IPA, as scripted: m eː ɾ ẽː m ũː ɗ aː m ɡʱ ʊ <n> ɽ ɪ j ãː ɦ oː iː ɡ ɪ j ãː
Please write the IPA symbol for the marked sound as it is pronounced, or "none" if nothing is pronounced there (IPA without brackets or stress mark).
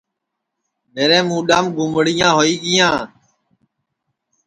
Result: m